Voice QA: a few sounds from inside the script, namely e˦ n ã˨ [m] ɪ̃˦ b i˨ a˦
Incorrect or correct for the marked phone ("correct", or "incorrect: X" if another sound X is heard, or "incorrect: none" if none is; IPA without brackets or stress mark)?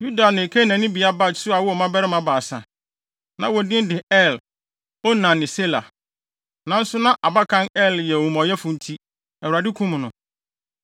incorrect: n